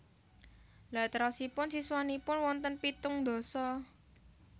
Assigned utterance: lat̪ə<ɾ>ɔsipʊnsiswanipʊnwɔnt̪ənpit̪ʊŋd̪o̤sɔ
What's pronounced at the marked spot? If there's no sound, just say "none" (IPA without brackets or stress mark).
ɾ